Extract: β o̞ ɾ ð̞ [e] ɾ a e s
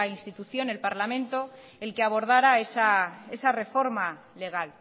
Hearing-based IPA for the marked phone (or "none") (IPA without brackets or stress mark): a